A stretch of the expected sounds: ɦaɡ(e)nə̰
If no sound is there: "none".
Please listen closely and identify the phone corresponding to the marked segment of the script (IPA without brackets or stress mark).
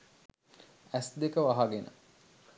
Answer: e